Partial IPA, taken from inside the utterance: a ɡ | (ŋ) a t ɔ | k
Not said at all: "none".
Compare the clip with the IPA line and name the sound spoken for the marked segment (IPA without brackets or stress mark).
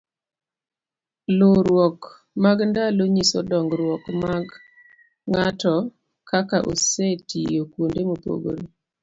ŋ